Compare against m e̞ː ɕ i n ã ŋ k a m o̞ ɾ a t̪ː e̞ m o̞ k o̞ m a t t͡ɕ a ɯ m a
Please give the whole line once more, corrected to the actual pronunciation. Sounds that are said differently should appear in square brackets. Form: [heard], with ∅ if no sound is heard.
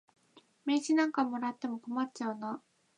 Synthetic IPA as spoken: m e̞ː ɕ i n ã ŋ k a m o̞ ɾ a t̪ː e̞ m o̞ k o̞ m a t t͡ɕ a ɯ [n] a